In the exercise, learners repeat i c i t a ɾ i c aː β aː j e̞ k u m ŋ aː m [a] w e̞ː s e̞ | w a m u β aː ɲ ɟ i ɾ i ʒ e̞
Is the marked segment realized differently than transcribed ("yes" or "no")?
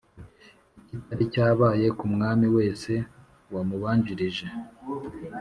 yes